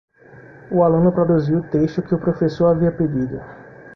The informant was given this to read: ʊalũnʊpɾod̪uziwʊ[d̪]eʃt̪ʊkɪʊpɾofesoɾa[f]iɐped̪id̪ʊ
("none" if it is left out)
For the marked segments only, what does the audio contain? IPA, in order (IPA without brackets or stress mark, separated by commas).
t̪, v